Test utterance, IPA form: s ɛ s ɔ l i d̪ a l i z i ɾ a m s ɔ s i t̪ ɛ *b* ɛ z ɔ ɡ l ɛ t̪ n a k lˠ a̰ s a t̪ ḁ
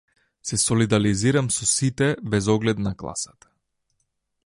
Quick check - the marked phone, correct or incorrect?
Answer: correct